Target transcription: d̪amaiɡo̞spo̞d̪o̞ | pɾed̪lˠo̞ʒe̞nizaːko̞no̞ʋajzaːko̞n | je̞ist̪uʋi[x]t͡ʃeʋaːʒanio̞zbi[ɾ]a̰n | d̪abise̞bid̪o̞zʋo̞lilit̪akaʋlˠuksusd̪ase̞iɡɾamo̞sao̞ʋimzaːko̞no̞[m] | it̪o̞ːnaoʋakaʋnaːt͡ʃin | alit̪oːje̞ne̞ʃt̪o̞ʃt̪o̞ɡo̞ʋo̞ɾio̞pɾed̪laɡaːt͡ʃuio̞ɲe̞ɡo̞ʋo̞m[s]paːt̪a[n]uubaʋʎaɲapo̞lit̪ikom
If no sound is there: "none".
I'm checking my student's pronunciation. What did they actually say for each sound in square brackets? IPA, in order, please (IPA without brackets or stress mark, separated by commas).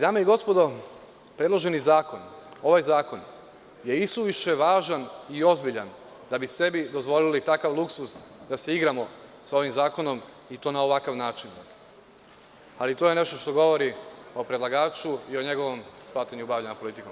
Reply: ʃ, ʎ, m, s, ɲ